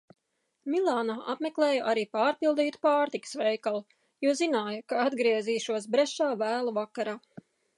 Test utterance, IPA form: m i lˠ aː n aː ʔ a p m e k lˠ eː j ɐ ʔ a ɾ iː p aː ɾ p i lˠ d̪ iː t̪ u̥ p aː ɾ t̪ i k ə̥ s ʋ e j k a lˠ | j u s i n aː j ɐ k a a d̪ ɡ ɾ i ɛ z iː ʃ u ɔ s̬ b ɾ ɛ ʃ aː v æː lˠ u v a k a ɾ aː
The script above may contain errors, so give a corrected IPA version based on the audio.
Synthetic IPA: m i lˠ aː n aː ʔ a p m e k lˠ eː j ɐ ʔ a ɾ iː p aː ɾ p i lˠ d̪ iː t̪ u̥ p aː ɾ t̪ i k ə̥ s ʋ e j k a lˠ | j u z i n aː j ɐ k a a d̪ ɡ ɾ i ɛ z iː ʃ u ɔ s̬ b ɾ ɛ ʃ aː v æː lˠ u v a k a ɾ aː